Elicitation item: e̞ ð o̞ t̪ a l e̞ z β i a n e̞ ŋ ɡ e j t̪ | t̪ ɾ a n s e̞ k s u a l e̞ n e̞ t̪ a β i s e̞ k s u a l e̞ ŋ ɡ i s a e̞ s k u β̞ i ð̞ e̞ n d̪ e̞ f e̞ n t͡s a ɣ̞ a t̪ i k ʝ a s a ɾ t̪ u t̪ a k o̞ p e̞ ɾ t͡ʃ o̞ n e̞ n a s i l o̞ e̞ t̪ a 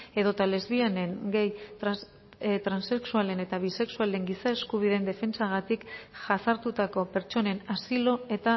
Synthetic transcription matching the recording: e̞ ð o̞ t̪ a l e̞ z β i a n e̞ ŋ ɡ e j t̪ | t̪ ɾ a n s e̞ k s u a l e̞ n e̞ t̪ a β i s e̞ k s u a l e̞ ŋ ɡ i s a e̞ s k u β̞ i ð̞ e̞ n d̪ e̞ f e̞ n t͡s a ɣ̞ a t̪ i k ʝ a s a ɾ t̪ u t̪ a k o̞ p e̞ ɾ t͡ʃ o̞ n e̞ n a s i l o̞ e̞ t̪ a